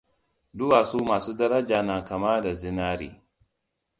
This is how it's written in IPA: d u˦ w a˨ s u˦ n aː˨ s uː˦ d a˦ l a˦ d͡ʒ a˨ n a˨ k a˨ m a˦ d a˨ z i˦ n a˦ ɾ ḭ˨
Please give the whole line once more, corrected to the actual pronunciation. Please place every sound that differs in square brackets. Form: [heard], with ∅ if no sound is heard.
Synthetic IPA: d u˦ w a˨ s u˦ [m] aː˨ s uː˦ d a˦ [ɾ] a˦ d͡ʒ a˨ n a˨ k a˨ m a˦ d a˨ z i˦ n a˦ ɾ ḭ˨